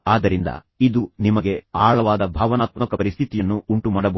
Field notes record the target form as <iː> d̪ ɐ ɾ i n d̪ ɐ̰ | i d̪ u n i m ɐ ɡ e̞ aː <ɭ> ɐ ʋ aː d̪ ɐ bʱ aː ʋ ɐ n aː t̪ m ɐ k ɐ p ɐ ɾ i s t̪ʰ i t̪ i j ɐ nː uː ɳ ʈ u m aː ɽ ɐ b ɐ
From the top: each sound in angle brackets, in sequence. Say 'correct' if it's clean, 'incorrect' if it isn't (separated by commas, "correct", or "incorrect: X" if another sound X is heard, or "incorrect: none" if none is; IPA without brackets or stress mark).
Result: incorrect: aː, correct